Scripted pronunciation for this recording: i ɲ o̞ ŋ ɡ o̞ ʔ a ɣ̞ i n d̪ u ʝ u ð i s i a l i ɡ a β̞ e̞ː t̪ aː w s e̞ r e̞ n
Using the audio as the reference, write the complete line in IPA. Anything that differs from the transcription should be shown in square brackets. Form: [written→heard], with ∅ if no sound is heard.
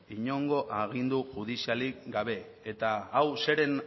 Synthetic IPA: i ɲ o̞ ŋ ɡ o̞ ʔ a ɣ̞ i n d̪ u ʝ u ð i s i a l i ɡ a β̞ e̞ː t̪ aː w s e̞ [r→ɾ] e̞ n